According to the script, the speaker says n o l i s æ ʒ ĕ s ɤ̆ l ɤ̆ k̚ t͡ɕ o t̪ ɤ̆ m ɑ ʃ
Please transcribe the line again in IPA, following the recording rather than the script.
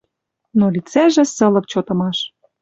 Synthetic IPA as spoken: n o l i t͡s æ ʒ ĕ s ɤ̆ l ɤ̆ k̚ t͡ɕ o t̪ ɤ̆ m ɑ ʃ